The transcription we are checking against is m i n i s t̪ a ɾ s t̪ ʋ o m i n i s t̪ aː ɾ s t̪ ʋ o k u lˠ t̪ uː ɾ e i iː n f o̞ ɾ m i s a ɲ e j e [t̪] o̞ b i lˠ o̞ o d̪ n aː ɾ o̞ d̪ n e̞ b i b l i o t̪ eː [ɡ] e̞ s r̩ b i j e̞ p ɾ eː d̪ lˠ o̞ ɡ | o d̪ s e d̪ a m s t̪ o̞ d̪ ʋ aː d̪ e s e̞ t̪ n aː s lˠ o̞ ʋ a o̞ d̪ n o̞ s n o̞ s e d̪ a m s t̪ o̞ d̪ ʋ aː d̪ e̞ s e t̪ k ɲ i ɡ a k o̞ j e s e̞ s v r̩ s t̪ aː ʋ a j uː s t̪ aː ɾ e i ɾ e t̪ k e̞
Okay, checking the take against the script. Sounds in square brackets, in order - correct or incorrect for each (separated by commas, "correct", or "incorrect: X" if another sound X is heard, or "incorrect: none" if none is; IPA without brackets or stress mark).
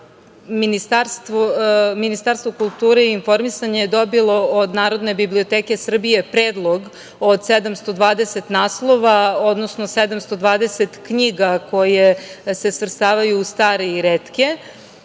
incorrect: d̪, incorrect: k